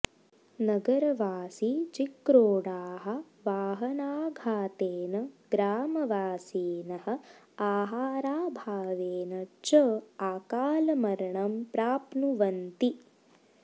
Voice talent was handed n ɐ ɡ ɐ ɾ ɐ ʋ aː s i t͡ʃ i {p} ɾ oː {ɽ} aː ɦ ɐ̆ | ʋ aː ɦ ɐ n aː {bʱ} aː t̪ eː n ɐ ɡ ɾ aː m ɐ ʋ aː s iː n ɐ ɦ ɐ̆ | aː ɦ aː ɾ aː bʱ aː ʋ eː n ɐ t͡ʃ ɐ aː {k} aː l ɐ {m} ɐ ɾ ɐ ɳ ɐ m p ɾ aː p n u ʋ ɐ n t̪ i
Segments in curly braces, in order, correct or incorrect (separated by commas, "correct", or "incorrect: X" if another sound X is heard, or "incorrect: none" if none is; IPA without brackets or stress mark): incorrect: k, correct, incorrect: ɡʱ, correct, correct